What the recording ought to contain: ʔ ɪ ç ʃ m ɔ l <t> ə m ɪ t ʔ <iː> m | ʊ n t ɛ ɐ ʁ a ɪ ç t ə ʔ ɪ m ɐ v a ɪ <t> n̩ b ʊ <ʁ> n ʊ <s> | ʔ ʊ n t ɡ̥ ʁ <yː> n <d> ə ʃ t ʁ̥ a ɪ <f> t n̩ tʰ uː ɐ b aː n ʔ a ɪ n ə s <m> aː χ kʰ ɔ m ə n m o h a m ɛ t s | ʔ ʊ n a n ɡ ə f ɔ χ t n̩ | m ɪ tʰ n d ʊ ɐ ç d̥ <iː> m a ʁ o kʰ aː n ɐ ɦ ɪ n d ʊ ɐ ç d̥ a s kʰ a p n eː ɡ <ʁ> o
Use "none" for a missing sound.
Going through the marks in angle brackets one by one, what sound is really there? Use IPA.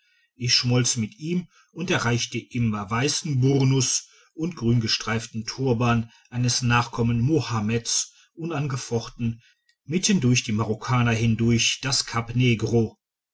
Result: t͡s, iː, s, ʁ, s, yː, ɡ, f, n, iː, ʁ

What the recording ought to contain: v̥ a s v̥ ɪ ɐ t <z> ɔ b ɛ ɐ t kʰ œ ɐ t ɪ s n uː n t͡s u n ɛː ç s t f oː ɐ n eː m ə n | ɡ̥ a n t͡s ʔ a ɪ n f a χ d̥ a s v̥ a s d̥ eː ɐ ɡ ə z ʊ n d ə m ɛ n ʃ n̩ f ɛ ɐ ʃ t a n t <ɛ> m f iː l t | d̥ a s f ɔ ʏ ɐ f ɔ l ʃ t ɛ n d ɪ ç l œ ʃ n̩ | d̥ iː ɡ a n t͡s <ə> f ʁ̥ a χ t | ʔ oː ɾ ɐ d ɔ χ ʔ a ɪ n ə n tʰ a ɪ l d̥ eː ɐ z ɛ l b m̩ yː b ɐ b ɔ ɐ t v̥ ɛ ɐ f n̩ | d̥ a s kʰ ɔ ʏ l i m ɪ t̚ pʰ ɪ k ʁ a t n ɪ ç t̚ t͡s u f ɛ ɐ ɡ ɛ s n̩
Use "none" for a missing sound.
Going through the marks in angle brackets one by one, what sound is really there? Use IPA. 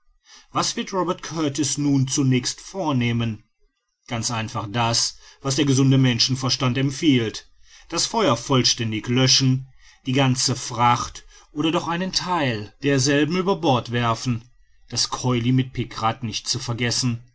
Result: ʁ, ɛ, ə

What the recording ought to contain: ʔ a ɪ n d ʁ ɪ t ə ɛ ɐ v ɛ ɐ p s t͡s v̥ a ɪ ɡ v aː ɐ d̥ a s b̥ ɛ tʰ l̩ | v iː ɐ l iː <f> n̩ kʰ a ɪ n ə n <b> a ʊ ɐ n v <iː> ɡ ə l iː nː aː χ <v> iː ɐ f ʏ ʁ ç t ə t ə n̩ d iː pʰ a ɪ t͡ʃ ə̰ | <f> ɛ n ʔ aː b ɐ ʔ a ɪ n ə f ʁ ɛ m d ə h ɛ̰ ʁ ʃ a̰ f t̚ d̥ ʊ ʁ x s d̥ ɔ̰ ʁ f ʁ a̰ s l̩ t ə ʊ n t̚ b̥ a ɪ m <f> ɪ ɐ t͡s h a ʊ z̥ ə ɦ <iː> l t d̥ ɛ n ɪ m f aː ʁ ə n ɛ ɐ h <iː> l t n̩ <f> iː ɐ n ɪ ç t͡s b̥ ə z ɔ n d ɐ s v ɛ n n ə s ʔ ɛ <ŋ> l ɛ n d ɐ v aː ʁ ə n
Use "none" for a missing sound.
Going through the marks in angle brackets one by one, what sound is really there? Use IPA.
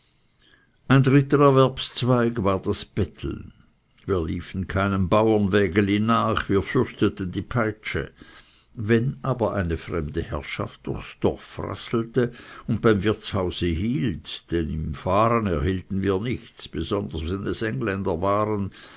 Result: f, b, ɛː, v, v, v, iː, iː, v, ŋ

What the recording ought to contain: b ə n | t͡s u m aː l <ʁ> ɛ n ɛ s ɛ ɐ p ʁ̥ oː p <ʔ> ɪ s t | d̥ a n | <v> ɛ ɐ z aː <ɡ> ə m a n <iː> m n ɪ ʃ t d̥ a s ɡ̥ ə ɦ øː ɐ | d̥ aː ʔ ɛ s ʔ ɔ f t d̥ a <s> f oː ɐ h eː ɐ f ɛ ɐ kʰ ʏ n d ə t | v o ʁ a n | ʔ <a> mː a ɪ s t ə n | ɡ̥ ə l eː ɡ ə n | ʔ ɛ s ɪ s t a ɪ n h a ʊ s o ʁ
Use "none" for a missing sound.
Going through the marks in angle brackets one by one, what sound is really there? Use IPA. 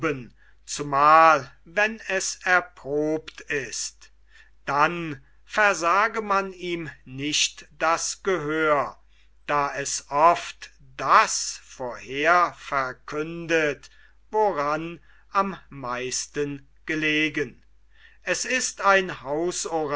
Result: v, t, f, ɡ, iː, s, a

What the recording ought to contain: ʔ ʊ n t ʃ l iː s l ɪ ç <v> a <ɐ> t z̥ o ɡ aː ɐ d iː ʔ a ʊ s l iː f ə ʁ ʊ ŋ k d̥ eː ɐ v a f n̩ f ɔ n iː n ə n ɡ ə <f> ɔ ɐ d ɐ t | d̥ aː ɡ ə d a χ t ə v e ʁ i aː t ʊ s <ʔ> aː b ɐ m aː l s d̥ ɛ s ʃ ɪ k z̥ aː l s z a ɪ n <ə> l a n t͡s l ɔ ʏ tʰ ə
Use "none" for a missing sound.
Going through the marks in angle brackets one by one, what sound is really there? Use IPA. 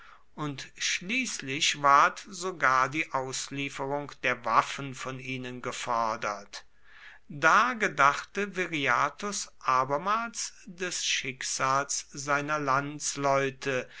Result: v, ɐ, f, ʔ, ɐ

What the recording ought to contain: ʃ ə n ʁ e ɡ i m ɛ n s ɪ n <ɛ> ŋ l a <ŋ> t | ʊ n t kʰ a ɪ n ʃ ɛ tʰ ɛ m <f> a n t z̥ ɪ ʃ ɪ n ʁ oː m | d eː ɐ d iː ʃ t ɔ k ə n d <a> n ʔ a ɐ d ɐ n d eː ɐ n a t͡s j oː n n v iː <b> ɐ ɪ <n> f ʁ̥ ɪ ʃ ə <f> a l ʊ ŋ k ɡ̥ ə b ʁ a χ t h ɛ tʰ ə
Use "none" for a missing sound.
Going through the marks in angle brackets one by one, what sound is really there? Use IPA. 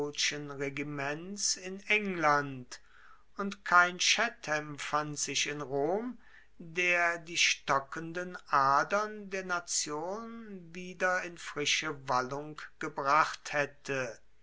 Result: ɛ, n, f, ə, d, n, v

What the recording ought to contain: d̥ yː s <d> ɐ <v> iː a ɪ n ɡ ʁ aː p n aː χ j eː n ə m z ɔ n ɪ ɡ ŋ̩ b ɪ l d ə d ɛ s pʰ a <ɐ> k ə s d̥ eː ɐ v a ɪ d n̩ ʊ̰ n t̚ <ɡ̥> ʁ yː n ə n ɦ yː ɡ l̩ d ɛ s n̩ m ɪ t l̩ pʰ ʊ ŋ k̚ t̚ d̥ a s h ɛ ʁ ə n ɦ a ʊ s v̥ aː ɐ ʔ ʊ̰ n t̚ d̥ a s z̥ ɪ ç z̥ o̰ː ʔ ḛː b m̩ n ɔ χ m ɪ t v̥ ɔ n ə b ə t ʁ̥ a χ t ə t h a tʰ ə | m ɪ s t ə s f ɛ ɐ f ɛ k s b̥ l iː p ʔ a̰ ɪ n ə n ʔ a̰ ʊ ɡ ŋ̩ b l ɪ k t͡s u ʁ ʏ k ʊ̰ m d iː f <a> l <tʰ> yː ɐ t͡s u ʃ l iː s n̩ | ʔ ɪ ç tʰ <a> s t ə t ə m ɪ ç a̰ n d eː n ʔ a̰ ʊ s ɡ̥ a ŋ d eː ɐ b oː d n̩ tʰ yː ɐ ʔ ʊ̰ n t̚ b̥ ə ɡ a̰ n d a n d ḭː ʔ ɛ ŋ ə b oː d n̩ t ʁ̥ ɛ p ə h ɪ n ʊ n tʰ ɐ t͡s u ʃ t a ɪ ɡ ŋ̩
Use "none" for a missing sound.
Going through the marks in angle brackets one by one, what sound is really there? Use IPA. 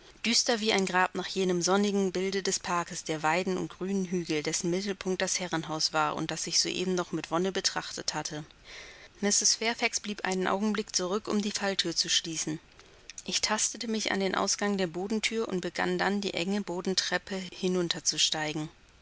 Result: t, v, ɐ, ɡ̥, a, tʰ, a

